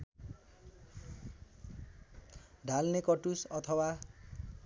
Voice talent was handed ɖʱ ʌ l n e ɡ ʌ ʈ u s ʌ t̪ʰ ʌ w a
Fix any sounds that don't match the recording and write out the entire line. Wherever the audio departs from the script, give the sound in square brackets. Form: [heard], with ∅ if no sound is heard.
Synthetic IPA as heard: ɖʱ [a] l n e [k] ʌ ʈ u s ʌ t̪ʰ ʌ w a